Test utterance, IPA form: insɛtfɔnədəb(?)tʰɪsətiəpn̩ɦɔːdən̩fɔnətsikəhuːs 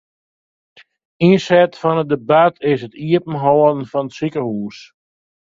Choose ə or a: a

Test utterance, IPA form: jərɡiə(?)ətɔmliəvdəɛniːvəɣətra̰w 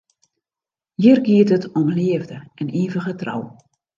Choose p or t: t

